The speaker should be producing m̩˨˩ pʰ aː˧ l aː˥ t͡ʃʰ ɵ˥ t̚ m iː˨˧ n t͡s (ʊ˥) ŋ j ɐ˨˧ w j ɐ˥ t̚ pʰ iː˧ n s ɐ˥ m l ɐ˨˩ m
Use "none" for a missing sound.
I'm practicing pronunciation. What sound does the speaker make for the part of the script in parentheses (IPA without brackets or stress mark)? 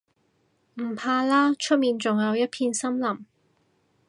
ʊ˨